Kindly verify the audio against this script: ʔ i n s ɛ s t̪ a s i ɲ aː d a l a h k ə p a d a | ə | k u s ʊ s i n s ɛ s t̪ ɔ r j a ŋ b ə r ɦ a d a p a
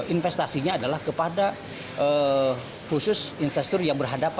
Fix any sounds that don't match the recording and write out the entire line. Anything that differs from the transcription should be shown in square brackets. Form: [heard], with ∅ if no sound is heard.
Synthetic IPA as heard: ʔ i n [f] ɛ s t̪ a s i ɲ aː d a l a h k ə p a d a | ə | k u s ʊ s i n [f] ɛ s t̪ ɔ r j a ŋ b ə r ɦ a d a p a